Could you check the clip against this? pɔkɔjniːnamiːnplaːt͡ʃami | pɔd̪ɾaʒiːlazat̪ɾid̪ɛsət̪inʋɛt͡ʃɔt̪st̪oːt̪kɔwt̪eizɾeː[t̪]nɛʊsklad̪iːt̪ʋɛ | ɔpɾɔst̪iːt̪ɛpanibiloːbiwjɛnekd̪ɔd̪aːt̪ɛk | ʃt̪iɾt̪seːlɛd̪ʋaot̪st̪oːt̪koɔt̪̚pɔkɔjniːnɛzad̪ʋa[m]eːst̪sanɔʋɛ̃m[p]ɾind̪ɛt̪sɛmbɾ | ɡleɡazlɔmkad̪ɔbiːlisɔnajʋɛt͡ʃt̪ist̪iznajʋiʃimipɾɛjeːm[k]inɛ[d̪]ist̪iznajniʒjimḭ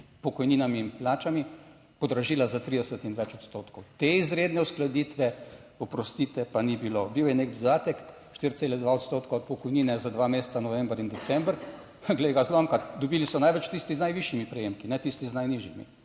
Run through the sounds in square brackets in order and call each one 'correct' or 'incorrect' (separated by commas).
incorrect, correct, incorrect, correct, incorrect